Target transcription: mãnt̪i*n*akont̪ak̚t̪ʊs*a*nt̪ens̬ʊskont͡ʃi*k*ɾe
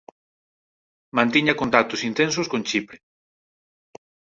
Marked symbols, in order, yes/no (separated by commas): no, no, no